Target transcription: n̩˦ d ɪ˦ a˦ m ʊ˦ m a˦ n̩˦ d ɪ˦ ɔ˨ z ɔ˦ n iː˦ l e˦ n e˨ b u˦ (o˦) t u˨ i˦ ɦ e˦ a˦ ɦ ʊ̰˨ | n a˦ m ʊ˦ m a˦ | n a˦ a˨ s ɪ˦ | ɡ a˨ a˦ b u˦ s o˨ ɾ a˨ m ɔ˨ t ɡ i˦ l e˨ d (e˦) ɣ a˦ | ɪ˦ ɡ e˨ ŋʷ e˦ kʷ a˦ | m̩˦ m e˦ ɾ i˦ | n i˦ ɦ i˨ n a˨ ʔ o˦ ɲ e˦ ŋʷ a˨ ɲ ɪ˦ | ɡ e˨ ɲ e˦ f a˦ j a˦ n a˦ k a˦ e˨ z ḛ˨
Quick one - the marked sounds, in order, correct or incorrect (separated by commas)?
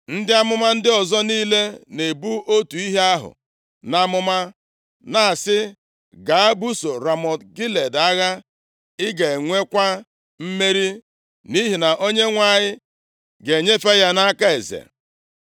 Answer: correct, incorrect